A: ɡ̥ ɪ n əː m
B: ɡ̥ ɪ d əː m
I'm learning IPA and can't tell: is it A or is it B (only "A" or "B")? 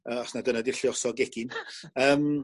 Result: A